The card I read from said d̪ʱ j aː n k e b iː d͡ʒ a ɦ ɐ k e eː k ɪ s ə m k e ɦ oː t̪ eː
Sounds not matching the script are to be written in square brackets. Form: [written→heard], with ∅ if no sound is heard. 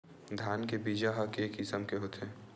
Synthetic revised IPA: d̪ʱ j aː n k e b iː d͡ʒ a ɦ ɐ k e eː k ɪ s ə m k e ɦ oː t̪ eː